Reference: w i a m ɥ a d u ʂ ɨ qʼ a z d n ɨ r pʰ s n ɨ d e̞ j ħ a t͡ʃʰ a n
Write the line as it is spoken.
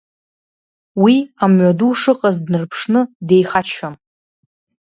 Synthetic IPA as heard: w i a m ɥ a d u ʂ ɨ qʼ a z d n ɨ r pʰ ʂ n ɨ d e̞ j χ a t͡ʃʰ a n

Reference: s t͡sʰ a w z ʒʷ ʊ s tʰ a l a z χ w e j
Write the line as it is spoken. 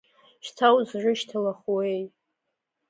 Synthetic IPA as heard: ʃ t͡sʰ a w z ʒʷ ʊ ʃ tʰ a l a χ w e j

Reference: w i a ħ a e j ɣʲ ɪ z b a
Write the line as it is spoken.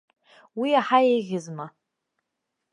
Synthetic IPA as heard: w i a ħ a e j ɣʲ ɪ z m a

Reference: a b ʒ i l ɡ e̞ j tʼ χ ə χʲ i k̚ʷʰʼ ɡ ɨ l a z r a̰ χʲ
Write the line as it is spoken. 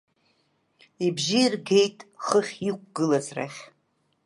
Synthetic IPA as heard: i b ʒ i r ɡ e̞ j tʼ χ ə χʲ i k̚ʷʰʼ ɡ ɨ l a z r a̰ χʲ

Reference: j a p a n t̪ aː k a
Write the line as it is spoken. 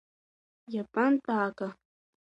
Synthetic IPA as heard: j a p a n t̪ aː k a

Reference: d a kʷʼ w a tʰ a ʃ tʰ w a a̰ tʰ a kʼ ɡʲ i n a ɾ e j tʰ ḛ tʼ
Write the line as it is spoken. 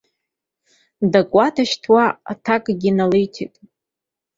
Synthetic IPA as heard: d a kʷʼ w a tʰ a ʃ tʰ w a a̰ tʰ a kʼ ɡʲ i n a l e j tʰ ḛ tʼ

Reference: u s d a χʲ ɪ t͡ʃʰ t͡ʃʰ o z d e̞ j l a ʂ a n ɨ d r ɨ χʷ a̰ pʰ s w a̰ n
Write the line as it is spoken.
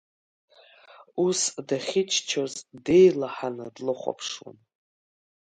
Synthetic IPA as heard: u s d a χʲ ɪ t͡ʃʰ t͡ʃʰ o z d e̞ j l a ħ a n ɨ d l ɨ χʷ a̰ pʰ ʂ w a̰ n

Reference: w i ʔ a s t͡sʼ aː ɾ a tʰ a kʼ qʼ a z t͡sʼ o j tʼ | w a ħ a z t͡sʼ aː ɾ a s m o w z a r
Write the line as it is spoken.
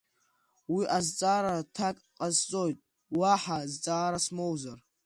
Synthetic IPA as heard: w i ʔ a z t͡sʼ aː ɾ a tʰ a kʼ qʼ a z t͡sʼ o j tʼ | w a ħ a z t͡sʼ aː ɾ a s m o w z a r

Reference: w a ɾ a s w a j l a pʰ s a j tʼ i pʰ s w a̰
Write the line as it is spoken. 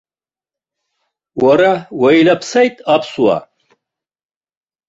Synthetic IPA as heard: w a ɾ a w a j l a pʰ s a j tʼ a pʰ s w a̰

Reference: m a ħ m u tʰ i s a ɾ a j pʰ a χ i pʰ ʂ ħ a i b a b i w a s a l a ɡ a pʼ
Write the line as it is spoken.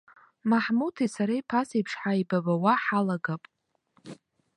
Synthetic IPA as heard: m a ħ m u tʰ i s a ɾ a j pʰ a s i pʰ ʂ ħ a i b a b a w a ħ a l a ɡ a pʼ

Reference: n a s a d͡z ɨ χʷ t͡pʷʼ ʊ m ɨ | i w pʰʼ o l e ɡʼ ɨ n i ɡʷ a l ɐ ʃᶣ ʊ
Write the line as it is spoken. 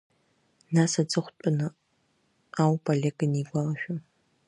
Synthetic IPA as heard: n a s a d͡z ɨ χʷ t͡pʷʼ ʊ n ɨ | a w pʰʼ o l e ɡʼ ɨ n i ɡʷ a l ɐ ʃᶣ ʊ

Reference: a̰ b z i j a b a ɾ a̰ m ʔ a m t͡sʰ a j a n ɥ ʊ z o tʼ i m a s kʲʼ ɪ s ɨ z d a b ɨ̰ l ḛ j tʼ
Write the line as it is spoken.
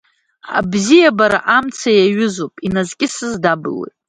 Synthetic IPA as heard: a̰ b z i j a b a ɾ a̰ ʔ a m t͡sʰ a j a ɥ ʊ z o pʼ i n a z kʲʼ ɪ s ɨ z d a b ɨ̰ l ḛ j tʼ

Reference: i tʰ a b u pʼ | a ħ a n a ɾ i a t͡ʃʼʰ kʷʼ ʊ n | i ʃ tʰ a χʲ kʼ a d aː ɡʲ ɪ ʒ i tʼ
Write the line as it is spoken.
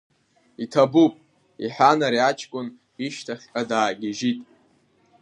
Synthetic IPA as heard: i tʰ a b u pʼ | i ħ a n a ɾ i a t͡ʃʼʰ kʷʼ ʊ n | i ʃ tʰ a χʲ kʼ a d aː ɡʲ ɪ ʒ i tʼ

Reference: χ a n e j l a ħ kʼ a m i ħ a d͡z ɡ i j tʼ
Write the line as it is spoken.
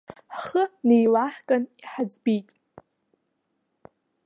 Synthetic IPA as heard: χ ə n e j l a ħ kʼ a n i ħ a d͡z b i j tʼ

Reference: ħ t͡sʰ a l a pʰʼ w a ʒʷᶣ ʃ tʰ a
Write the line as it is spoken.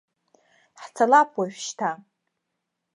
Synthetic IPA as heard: ħ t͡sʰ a l a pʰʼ w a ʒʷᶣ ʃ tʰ a

